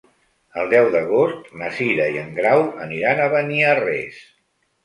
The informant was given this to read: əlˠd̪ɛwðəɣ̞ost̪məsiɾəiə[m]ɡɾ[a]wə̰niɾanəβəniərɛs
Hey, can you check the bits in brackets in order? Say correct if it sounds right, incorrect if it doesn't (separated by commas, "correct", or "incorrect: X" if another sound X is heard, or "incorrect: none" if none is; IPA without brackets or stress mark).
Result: incorrect: ŋ, correct